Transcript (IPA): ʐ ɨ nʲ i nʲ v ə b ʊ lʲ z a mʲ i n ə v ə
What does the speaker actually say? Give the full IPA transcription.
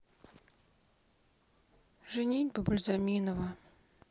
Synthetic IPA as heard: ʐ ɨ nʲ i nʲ b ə b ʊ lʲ z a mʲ i n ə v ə